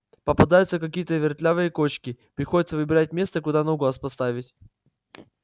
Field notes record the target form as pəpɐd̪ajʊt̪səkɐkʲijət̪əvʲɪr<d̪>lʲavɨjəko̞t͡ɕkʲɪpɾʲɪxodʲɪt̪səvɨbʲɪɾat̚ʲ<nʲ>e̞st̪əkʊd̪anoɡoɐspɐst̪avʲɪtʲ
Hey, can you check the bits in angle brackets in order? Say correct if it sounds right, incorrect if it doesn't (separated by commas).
incorrect, incorrect